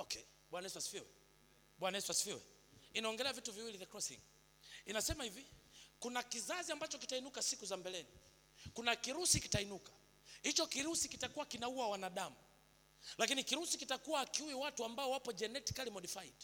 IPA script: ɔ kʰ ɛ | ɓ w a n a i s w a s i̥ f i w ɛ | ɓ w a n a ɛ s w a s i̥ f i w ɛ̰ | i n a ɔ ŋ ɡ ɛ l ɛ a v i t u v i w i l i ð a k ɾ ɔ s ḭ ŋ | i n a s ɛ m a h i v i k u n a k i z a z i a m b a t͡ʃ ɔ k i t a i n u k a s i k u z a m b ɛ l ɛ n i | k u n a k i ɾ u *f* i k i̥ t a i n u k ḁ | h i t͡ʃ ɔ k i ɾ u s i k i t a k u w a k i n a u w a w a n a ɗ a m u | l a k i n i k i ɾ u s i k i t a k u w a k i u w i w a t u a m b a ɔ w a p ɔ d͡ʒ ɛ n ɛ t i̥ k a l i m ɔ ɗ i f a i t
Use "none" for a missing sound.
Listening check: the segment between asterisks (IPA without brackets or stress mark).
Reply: s